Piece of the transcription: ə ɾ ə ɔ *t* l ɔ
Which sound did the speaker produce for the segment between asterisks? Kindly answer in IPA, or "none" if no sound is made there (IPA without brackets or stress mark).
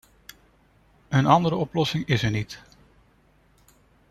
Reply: p